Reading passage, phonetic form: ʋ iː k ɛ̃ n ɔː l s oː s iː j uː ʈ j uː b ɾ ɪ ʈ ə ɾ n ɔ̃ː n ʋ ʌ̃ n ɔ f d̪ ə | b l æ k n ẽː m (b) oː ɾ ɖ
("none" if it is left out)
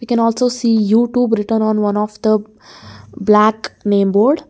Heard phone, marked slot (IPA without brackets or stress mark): b